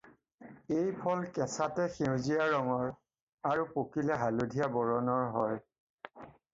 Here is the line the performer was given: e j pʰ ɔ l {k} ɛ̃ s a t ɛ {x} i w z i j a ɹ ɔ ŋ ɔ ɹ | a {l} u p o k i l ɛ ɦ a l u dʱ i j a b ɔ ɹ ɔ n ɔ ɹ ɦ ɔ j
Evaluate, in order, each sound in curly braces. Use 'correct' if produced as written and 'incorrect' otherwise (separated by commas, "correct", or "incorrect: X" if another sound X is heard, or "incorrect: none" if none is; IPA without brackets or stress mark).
correct, correct, incorrect: ɹ